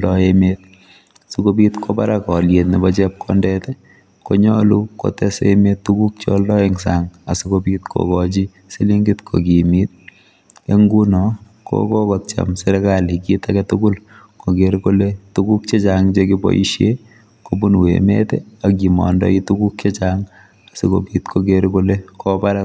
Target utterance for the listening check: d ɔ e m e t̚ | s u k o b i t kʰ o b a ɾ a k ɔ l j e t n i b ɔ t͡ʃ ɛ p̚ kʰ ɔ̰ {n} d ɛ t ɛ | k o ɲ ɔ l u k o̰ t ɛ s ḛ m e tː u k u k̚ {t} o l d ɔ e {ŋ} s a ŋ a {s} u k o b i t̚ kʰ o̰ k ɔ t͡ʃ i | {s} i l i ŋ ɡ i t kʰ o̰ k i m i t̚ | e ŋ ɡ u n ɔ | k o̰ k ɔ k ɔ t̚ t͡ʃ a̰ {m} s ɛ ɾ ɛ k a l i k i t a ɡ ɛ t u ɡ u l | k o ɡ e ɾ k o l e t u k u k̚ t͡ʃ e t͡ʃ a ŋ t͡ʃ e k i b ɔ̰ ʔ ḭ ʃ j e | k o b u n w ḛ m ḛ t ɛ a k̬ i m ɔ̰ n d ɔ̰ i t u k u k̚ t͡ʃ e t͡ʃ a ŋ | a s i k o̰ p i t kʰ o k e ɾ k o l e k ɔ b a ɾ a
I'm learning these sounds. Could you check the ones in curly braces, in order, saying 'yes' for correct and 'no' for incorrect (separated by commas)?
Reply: yes, no, yes, yes, yes, yes